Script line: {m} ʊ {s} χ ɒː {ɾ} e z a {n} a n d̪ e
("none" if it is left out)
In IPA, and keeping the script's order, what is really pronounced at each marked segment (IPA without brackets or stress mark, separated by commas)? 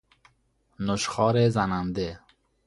n, ʃ, ɾ, n